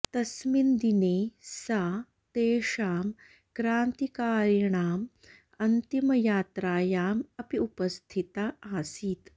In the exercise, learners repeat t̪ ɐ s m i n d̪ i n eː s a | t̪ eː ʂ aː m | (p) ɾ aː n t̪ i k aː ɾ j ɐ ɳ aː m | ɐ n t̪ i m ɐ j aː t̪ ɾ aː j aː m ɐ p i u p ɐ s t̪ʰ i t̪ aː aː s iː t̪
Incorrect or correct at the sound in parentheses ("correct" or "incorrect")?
incorrect